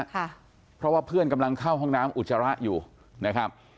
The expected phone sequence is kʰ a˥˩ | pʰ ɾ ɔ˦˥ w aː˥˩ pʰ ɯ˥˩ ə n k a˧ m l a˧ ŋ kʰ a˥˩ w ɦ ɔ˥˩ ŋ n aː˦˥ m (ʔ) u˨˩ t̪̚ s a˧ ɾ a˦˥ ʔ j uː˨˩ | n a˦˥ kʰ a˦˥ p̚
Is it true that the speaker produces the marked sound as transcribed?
yes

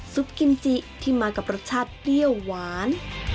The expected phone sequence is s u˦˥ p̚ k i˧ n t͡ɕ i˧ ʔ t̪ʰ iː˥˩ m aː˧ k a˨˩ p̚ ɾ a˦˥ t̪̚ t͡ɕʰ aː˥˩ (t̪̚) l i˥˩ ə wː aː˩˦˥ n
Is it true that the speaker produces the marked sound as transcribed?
yes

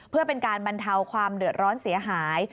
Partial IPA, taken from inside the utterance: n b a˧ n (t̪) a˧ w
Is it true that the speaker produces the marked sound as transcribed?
no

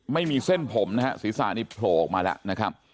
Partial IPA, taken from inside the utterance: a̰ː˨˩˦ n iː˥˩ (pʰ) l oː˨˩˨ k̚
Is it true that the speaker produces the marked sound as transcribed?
yes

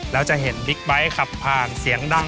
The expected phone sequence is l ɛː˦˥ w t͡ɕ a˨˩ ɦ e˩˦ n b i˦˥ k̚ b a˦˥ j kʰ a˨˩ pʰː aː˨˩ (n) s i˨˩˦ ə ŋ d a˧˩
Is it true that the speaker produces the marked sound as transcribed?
yes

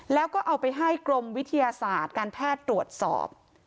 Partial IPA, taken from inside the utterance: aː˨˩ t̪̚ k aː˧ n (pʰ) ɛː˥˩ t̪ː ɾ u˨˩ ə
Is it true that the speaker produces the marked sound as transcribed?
yes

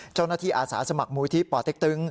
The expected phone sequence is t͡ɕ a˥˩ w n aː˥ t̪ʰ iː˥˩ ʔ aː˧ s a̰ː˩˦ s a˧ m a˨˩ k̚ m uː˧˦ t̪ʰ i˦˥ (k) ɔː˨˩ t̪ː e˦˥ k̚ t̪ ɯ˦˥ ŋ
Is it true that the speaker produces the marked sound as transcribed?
no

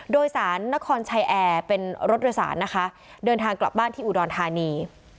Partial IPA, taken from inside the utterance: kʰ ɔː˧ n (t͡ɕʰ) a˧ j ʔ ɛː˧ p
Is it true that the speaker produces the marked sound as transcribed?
yes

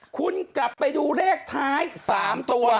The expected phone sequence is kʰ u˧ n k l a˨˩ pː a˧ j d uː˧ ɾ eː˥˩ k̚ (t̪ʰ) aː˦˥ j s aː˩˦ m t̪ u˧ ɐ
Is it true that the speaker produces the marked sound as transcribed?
yes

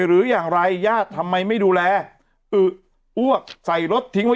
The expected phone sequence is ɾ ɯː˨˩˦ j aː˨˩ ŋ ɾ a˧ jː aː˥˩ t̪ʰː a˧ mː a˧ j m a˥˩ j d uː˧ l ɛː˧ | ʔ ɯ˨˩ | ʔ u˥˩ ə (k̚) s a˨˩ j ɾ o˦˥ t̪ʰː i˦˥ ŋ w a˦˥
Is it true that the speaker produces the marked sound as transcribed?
yes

